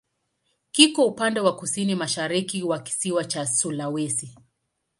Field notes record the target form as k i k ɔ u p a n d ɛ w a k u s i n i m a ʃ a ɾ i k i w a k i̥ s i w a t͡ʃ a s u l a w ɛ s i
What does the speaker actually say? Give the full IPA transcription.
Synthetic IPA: k i k ɔ u p a n d ɛ w a k u s i n i m a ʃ a ɾ i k i w a k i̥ s i w a t͡ʃ a s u l a w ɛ s i

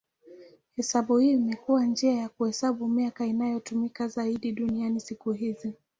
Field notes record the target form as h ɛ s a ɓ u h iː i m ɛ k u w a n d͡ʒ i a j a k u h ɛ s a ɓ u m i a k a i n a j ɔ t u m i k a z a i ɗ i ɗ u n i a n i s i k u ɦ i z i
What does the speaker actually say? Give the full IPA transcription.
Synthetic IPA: h ɛ s a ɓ u h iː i m ɛ k u w a n d͡ʒ i a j a k u h ɛ s a ɓ u m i a k a i n a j ɔ t u m i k a z a i ɗ i ɗ u n i a n i s i k u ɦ i z i

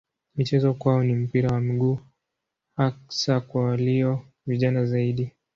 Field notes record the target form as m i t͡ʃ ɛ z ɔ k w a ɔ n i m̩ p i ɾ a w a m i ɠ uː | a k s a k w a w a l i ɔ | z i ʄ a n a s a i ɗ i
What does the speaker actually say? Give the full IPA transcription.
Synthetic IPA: m i t͡ʃ ɛ z ɔ k w a ɔ n i m̩ p i ɾ a w a m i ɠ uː | a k s a k w a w a l i ɔ | v i ʄ a n a z a i ɗ i

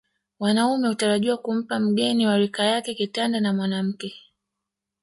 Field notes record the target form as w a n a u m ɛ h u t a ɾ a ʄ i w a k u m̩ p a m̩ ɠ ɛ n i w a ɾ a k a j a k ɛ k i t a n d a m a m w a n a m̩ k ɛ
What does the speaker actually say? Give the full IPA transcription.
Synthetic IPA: w a n a u m ɛ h u t a ɾ a ʄ i w a k u m̩ p a m̩ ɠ ɛ n i w a ɾ i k a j a k ɛ k i t a n d a n a m w a n a m̩ k ɛ

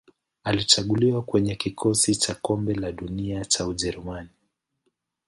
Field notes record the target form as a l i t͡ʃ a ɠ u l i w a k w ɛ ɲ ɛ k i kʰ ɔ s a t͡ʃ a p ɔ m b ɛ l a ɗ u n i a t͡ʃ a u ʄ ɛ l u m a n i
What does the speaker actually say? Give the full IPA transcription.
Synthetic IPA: a l i t͡ʃ a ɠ u l i w a k w ɛ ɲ ɛ k i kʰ ɔ s i t͡ʃ a k ɔ m b ɛ l a ɗ u n i a t͡ʃ a u ʄ ɛ ɾ u m a n i

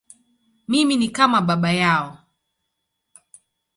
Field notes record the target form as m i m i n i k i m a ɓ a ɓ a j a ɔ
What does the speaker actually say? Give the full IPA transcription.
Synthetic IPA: m i m i n i k a m a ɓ a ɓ a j a ɔ

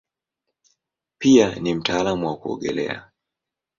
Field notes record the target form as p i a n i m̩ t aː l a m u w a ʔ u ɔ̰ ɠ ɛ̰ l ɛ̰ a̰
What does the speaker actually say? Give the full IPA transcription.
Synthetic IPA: p i a n i m̩ t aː l a m u w a k u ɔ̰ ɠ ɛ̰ l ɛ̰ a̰

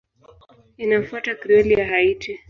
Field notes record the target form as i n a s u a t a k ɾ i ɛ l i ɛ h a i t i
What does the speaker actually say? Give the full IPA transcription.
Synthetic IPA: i n a f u a t a k ɾ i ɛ l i a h a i t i

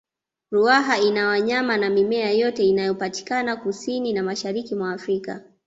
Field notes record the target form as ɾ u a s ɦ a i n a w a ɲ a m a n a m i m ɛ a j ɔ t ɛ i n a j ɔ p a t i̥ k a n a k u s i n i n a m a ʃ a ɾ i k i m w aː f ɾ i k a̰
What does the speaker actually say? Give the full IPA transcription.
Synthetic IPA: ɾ u a ɦ a i n a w a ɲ a m a n a m i m ɛ a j ɔ t ɛ i n a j ɔ p a t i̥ k a n a k u s i n i n a m a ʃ a ɾ i k i m w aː f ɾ i k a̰

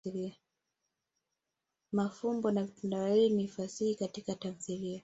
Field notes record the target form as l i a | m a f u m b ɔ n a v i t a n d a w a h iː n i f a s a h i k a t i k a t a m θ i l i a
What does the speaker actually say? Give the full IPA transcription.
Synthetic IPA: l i a | m a f u m b ɔ n a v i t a n d a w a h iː n i f a s i h i k a t i k a t a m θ i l i a

